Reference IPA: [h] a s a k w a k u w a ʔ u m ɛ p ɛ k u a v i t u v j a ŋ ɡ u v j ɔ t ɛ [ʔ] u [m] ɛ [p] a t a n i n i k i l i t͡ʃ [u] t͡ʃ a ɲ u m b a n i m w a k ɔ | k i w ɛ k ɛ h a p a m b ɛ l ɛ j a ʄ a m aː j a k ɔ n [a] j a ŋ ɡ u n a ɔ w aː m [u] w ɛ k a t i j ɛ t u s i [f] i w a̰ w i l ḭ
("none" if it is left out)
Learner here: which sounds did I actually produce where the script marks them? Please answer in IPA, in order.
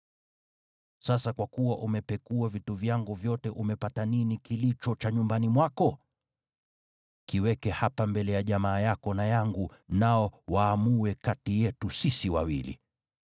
s, ʔ, m, p, ɔ, a, u, s

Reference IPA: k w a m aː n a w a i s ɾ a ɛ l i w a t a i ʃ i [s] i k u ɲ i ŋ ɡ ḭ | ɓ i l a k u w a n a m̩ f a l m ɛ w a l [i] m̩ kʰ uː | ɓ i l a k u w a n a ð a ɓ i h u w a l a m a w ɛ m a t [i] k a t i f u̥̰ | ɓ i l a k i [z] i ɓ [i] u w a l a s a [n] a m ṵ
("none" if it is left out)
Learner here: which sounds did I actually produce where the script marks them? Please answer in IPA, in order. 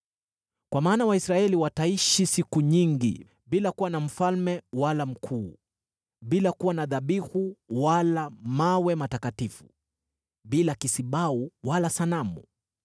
s, a, a, s, a, n

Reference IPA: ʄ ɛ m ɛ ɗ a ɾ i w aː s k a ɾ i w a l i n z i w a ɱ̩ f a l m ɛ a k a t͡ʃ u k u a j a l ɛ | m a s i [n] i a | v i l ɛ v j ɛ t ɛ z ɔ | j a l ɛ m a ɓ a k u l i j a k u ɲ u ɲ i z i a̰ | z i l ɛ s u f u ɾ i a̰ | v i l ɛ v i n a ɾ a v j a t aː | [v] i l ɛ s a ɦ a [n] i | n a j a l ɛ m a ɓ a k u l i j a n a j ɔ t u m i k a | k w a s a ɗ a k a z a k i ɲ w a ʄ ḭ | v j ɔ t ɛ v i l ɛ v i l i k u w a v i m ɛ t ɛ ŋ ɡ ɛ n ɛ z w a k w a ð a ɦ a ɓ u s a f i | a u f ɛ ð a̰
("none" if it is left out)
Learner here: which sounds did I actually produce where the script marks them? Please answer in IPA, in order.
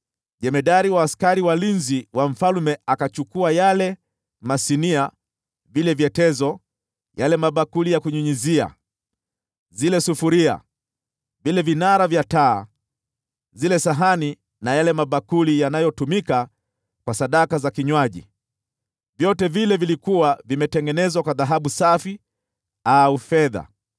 n, z, n

